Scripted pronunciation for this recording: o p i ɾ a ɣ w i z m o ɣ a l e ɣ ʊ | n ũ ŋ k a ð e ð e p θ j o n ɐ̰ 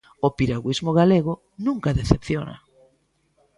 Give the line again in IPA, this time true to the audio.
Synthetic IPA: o p i ɾ a ɣ w i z m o ɣ a l e ɣ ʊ | n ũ ŋ k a ð e θ e p θ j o n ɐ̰